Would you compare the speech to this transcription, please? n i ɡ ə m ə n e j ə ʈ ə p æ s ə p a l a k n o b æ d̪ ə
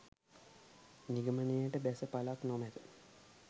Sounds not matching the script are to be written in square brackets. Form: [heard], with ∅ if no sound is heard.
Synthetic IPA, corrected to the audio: n i ɡ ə m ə n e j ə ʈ ə [b] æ s ə p a l a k n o [m] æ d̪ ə